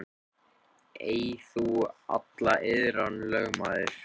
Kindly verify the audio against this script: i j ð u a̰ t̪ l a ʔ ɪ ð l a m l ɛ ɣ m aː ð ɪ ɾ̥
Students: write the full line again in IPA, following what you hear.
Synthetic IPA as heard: e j θ u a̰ t̪ l a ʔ ɪ ð ɾ a n l œ ɣ m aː ð ɪ ɾ̥

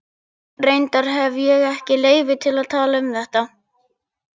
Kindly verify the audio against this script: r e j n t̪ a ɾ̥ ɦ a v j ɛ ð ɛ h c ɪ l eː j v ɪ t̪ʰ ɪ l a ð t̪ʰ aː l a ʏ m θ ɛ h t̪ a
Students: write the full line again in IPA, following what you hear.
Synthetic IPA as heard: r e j n t̪ a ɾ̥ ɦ ɛ v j ɛ ɣ ɛ h c ɪ l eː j v ɪ t̪ʰ ɪ l a ð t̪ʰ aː l a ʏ m θ ɛ h t̪ a

